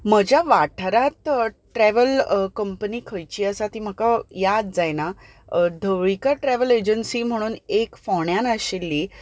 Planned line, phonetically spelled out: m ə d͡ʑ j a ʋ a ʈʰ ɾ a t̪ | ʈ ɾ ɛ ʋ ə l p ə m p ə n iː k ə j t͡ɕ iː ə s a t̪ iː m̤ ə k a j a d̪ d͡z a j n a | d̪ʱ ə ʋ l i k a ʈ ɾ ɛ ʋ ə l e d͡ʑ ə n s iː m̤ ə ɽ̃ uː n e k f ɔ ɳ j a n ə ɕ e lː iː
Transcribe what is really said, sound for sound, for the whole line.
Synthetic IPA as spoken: m ə d͡ʑ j a ʋ a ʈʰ ɾ a t̪ | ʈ ɾ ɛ ʋ ə l k ə m p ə n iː kʰ ə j t͡ɕ iː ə s a t̪ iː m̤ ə k a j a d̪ d͡z a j n a | d̪ʱ ə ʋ ɭ i k a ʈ ɾ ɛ ʋ ə l e d͡ʑ ə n s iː m̤ ə ɽ̃ uː n e k f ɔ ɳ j a n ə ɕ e lː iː